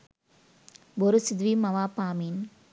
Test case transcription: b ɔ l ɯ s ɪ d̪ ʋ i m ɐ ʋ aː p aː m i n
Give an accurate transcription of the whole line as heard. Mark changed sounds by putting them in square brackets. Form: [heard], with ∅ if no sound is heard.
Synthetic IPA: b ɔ [ɾ] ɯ s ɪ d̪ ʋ i m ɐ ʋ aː p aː m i n